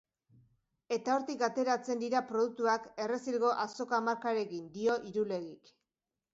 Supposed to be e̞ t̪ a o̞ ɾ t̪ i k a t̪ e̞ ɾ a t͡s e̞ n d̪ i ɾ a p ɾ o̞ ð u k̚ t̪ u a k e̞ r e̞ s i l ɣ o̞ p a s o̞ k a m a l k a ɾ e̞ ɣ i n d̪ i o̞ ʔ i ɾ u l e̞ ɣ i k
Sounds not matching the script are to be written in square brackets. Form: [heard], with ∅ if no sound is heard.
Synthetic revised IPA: e̞ t̪ a o̞ ɾ t̪ i k a t̪ e̞ ɾ a t͡s e̞ n d̪ i ɾ a p ɾ o̞ ð u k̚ t̪ u a k e̞ r e̞ s i l ɣ o̞ [ʔ] a s o̞ k a m a [ɾ] k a ɾ e̞ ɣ i n d̪ i o̞ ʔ i ɾ u l e̞ ɣ i k